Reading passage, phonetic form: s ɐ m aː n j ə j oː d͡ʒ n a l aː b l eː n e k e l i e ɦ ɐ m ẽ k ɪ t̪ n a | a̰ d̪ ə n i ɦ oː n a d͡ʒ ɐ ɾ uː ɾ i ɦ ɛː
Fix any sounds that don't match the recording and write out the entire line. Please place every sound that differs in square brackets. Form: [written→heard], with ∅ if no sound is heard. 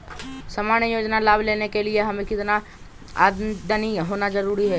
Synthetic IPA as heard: s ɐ m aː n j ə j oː d͡ʒ n a l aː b l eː n e k e l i e ɦ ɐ m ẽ k ɪ t̪ n a | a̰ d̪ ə n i ɦ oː n a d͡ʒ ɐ ɾ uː ɾ i ɦ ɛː